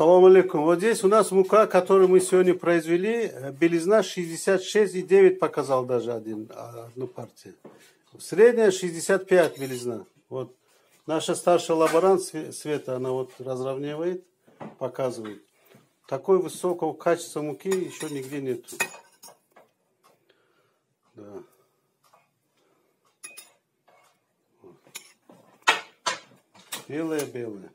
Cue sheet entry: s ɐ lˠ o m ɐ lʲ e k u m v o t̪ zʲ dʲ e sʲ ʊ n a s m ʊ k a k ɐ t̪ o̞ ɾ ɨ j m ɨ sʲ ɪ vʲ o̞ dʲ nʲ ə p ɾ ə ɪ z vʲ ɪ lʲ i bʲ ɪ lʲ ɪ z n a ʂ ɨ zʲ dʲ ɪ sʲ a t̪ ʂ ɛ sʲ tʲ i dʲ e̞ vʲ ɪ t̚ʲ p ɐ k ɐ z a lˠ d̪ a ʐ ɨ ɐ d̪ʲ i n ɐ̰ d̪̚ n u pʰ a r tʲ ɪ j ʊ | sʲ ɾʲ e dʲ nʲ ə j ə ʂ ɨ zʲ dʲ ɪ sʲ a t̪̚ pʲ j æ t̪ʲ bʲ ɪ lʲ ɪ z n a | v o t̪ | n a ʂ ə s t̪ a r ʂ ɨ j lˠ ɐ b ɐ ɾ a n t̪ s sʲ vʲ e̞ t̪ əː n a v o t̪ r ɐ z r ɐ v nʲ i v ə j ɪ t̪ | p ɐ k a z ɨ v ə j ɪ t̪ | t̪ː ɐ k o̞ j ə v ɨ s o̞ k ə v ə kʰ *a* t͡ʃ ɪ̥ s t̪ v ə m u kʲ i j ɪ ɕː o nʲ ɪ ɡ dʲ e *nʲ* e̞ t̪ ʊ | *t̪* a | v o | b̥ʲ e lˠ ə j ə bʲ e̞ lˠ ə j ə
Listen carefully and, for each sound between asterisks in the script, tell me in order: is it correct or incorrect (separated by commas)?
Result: correct, correct, incorrect